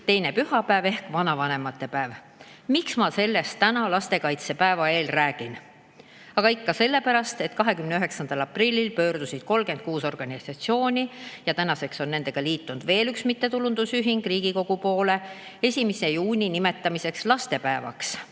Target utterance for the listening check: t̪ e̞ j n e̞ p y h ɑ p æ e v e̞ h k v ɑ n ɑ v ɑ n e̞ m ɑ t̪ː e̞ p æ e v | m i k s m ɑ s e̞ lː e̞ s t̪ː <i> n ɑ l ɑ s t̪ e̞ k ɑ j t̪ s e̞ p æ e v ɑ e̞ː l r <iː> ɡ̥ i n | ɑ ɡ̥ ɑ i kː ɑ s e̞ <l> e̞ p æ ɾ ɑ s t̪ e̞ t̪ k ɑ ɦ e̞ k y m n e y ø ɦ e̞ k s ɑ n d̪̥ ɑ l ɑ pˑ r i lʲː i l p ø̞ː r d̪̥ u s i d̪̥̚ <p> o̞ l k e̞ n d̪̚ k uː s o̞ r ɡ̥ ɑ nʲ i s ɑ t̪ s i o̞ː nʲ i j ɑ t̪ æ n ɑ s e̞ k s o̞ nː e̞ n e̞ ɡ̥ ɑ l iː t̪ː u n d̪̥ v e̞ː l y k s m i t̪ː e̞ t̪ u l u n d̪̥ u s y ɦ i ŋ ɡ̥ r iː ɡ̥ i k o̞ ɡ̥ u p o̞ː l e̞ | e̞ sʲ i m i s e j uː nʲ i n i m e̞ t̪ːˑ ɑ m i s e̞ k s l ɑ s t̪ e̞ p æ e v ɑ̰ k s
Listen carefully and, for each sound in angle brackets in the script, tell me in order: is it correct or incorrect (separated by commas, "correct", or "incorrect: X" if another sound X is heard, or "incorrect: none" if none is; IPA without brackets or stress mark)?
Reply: incorrect: æ, incorrect: æː, incorrect: lː, incorrect: k